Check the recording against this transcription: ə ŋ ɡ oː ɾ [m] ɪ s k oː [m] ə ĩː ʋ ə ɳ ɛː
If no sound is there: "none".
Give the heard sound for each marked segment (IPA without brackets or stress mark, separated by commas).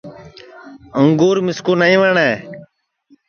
m, n